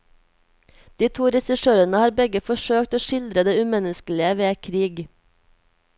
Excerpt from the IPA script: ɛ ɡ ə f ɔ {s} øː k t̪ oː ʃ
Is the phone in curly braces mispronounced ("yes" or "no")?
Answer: yes